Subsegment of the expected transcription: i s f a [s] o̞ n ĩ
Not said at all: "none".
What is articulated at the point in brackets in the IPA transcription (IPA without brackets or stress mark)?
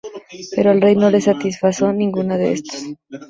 s